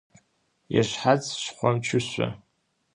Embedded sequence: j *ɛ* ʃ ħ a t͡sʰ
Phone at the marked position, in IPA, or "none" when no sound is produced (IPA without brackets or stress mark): a